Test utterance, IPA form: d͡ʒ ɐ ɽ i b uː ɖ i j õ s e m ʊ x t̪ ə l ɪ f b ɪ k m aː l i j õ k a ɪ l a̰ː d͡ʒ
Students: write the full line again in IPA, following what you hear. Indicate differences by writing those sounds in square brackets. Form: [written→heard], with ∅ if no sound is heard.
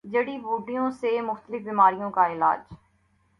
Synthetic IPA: d͡ʒ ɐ ɽ i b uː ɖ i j õ s e m ʊ x t̪ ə l ɪ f b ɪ [k→∅] m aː [l→ɾ] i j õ k a ɪ l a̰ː d͡ʒ